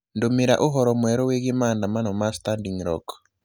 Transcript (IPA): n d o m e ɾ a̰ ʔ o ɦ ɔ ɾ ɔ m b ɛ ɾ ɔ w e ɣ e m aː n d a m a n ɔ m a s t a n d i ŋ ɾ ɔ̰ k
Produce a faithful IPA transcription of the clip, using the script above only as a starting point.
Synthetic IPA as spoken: n d o m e ɾ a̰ ʔ o ɦ ɔ ɾ ɔ m w ɛ ɾ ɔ w e ɣ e m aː n d a m a n ɔ m a s t a n d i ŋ ɾ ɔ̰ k